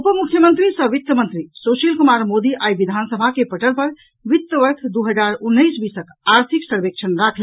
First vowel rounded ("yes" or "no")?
yes